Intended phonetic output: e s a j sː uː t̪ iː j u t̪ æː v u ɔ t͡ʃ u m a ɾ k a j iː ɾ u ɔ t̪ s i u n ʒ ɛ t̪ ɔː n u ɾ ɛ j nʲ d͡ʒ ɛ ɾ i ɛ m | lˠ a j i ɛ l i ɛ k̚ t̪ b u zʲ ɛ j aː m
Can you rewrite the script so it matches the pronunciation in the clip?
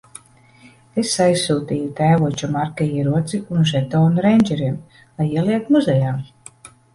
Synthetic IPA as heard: e s a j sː uː t̪ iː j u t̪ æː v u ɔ t͡ʃ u m a ɾ k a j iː ɾ u ɔ t̪ s i u n ʒ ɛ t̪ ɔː n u ɾ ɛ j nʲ d͡ʒ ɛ ɾ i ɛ m | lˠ a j i ɛ l i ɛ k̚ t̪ m u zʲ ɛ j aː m